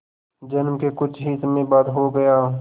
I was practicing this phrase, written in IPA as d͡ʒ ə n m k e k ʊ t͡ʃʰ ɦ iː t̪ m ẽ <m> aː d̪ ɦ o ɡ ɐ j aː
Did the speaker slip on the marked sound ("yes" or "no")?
yes